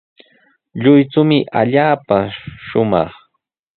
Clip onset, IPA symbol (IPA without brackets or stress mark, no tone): ʎ